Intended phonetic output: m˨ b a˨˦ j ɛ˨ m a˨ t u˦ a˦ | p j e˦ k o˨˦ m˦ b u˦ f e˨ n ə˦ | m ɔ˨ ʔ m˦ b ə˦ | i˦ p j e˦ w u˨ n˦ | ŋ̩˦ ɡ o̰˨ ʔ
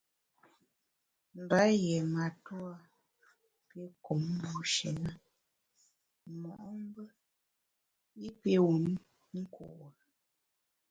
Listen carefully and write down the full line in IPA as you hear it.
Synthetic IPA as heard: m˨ b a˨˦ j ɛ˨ m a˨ t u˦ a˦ | p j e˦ k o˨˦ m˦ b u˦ ʃ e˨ n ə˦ | m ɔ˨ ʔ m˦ b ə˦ | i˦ p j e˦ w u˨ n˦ | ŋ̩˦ k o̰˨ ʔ